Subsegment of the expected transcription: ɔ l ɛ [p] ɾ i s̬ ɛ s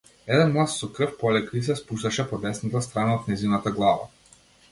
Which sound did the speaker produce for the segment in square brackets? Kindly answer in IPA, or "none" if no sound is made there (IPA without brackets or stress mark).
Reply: k